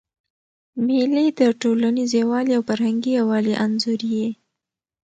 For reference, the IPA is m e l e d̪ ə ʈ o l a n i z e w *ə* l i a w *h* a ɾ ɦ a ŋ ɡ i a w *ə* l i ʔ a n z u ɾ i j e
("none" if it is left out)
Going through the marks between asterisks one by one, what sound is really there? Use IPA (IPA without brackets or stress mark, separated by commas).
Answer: ɑ, f, ɑ